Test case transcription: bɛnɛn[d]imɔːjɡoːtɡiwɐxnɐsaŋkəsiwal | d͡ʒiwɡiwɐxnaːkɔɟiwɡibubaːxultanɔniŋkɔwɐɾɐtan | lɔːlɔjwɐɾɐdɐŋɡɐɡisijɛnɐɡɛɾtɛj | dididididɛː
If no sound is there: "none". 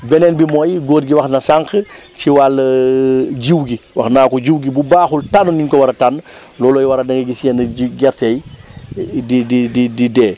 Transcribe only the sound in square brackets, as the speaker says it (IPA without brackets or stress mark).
b